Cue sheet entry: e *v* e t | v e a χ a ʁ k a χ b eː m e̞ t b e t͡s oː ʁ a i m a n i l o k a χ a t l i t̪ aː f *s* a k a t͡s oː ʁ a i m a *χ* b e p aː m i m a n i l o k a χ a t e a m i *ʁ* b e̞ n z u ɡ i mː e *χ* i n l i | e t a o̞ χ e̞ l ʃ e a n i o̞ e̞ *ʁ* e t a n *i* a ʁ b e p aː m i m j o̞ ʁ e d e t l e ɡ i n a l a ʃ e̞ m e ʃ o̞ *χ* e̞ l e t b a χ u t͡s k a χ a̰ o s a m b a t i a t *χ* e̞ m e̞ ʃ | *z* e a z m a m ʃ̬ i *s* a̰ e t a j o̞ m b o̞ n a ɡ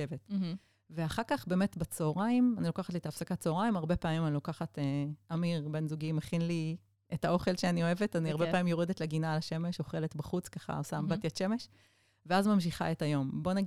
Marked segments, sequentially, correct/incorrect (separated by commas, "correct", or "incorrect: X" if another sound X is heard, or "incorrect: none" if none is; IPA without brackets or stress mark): correct, correct, incorrect: ʁ, correct, correct, incorrect: v, correct, correct, incorrect: ʃ, incorrect: v, incorrect: χ